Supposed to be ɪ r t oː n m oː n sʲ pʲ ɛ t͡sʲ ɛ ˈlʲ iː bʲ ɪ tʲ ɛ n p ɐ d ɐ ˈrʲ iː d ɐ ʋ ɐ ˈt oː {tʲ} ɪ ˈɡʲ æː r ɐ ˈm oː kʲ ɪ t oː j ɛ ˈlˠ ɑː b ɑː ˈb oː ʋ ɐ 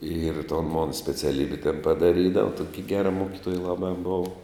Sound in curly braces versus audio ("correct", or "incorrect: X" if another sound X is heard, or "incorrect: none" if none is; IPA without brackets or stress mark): incorrect: kʲ